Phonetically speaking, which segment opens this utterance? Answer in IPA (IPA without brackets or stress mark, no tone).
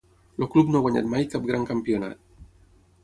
l